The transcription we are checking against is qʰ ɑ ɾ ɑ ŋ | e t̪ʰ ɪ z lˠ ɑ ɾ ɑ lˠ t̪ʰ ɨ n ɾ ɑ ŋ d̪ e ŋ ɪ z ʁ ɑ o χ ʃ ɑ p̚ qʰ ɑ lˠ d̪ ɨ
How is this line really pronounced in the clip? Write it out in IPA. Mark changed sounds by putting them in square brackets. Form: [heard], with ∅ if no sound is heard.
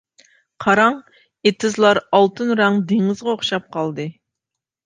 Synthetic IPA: qʰ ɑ ɾ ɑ ŋ | e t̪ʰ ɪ z lˠ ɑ ɾ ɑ lˠ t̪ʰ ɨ n ɾ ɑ ŋ d̪ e ŋ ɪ z ʁ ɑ o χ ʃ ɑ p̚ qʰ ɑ lˠ d̪ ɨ